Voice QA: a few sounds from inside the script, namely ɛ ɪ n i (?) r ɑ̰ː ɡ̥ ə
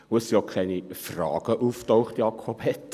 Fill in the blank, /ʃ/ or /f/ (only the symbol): f